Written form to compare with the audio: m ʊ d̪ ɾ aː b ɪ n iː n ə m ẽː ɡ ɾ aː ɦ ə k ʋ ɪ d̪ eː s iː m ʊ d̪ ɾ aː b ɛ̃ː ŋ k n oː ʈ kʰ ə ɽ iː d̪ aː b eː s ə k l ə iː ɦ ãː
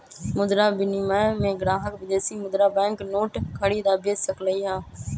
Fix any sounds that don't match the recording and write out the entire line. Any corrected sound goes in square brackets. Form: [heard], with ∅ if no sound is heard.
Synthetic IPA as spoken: m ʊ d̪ ɾ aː b ɪ n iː [m] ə m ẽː ɡ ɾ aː ɦ ə k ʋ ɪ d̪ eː s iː m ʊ d̪ ɾ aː b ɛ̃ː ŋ k n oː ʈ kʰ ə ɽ iː d̪ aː b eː s ə k l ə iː ɦ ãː